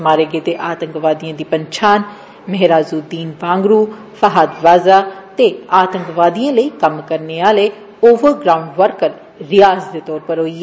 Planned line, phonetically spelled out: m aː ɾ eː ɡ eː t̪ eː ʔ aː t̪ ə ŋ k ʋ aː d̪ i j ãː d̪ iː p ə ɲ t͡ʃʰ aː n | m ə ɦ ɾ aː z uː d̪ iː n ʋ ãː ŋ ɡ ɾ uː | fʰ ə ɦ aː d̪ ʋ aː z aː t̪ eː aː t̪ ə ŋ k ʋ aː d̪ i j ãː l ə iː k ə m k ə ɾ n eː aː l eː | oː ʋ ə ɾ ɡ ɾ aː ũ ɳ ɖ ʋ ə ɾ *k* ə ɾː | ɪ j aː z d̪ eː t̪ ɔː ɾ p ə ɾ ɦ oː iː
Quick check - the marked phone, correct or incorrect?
correct